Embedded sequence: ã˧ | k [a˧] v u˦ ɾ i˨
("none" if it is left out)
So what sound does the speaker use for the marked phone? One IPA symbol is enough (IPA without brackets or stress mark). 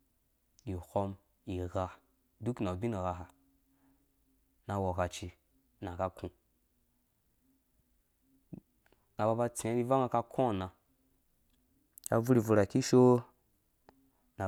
a˧